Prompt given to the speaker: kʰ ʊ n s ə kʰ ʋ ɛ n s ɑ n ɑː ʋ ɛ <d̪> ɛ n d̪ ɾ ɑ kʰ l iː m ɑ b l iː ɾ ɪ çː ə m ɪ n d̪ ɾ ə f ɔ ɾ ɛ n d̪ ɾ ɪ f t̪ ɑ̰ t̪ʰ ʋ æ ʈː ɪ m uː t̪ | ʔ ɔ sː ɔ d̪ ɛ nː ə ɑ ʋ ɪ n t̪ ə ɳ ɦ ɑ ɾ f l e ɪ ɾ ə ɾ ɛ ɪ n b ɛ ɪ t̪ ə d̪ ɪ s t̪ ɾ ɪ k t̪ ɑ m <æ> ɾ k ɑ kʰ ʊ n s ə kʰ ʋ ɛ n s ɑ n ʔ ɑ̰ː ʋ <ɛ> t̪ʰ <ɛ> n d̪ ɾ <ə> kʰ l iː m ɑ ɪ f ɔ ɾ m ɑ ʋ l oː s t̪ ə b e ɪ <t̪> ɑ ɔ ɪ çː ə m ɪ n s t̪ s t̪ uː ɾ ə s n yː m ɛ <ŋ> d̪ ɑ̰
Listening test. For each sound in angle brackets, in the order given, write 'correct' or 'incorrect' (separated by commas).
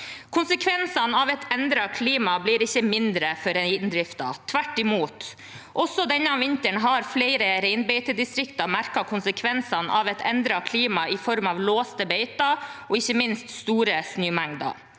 incorrect, correct, correct, correct, incorrect, correct, correct